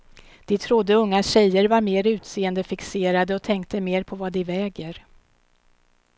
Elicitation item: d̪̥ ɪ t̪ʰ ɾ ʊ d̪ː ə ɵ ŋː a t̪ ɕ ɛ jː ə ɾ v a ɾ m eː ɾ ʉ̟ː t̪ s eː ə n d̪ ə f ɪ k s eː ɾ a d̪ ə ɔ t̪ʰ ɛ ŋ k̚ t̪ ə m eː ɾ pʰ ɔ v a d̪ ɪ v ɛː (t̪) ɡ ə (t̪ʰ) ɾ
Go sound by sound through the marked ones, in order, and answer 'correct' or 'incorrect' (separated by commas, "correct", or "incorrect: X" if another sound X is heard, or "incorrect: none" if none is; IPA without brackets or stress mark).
incorrect: none, incorrect: none